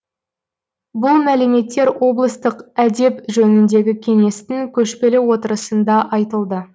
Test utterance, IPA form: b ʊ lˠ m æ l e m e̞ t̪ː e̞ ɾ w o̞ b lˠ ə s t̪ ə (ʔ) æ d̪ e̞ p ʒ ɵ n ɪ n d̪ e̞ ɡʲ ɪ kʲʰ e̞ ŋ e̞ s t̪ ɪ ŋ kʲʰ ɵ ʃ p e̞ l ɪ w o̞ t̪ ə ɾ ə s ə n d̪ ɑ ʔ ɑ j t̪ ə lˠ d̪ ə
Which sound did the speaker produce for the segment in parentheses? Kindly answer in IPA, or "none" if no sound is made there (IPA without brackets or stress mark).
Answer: q